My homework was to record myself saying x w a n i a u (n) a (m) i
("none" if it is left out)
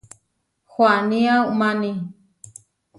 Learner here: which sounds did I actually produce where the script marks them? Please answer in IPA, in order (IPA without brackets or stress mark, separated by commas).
m, n